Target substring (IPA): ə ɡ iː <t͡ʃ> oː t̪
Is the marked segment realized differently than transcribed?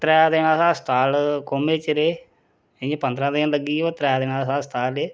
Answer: yes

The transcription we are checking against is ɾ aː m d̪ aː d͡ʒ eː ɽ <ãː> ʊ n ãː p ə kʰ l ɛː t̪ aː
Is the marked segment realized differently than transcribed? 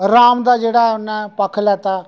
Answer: yes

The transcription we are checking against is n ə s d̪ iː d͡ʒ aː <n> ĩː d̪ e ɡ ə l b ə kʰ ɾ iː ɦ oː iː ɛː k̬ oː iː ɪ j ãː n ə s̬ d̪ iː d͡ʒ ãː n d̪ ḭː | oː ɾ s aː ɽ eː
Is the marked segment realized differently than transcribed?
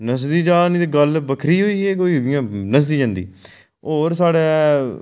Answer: no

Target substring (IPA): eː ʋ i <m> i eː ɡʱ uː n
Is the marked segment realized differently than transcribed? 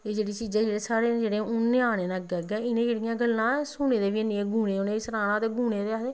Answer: yes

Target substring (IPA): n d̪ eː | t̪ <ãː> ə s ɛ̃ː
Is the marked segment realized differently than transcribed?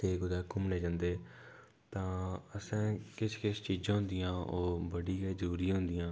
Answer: no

